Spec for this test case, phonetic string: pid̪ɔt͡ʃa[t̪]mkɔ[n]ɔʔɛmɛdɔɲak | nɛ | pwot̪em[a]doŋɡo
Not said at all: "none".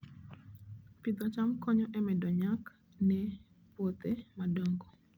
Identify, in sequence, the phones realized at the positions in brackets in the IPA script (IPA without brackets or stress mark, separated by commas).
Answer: none, ɲ, a